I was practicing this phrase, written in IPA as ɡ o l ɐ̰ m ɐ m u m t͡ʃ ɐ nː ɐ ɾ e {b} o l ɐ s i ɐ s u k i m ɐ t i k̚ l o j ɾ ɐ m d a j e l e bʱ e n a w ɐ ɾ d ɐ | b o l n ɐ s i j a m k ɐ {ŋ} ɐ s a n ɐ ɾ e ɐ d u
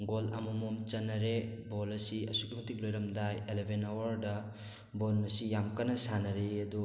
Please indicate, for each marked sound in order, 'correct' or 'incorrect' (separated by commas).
correct, incorrect